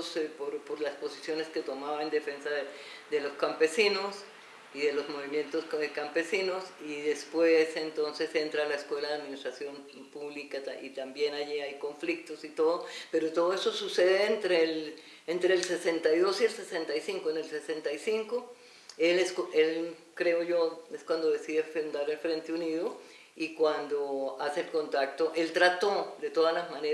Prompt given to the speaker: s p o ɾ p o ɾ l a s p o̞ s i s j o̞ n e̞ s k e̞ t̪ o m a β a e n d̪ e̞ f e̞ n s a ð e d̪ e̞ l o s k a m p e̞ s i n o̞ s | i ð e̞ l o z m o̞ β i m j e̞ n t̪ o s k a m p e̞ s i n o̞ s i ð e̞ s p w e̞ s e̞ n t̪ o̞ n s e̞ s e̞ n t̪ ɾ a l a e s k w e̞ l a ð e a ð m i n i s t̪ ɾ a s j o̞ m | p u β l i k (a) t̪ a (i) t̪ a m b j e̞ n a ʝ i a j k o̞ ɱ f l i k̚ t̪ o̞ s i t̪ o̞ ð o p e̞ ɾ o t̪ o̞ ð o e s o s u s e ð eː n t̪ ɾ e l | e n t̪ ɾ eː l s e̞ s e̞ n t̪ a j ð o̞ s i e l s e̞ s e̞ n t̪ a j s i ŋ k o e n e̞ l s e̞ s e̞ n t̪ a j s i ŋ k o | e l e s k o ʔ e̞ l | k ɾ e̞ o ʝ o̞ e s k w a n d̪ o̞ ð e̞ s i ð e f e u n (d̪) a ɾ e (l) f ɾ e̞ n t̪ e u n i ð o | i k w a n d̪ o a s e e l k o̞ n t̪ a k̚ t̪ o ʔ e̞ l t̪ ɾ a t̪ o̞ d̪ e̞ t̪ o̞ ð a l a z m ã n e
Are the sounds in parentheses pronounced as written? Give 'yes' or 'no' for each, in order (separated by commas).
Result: yes, yes, yes, yes